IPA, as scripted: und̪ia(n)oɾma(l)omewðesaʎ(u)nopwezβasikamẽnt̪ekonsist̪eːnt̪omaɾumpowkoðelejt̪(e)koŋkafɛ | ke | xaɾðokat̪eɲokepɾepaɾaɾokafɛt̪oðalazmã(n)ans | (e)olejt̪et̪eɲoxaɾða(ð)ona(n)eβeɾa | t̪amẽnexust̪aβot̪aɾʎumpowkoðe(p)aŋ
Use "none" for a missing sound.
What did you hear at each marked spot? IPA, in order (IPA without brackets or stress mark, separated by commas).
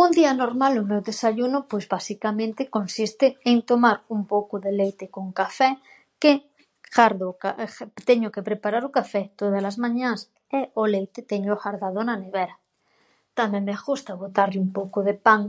n, l, u, e, ɲ, e, ð, n, p